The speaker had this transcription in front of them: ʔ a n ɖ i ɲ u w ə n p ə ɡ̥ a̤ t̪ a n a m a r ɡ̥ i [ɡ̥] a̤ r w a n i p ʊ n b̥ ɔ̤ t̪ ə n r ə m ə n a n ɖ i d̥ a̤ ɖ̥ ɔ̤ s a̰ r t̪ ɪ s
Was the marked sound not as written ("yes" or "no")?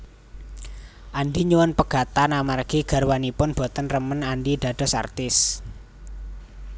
no